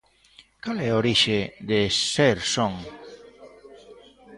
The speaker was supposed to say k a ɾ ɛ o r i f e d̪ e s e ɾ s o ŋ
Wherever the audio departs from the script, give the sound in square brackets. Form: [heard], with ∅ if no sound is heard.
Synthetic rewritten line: k a [l] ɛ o [ɾ] i [ʃ] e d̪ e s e ɾ s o ŋ